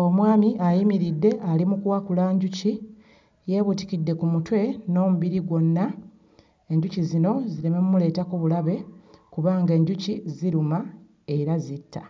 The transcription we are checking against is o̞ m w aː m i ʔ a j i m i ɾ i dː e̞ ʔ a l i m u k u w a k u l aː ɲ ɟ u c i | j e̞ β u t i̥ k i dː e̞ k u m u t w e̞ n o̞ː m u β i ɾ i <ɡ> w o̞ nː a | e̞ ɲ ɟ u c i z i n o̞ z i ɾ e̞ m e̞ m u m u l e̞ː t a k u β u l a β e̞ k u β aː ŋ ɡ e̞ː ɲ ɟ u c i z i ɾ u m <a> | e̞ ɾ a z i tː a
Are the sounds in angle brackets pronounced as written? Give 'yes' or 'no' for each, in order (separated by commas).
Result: yes, yes